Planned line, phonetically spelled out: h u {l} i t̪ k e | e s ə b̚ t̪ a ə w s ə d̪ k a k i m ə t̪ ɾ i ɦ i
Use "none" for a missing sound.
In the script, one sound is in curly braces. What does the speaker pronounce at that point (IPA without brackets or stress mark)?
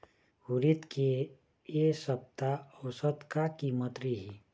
ɾ